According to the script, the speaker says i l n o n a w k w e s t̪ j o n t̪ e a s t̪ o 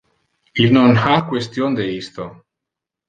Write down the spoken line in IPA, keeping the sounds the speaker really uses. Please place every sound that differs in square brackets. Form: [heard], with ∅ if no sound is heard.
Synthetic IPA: i l n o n a [∅] k w e s t̪ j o n [d̪] e [i] s t̪ o